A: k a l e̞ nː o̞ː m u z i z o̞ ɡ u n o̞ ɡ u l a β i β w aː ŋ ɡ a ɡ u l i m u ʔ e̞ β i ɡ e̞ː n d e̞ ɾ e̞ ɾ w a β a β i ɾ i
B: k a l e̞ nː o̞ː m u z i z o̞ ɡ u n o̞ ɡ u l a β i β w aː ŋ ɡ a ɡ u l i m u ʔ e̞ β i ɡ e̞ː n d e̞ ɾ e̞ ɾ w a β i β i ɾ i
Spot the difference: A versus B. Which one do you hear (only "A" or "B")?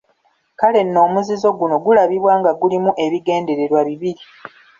B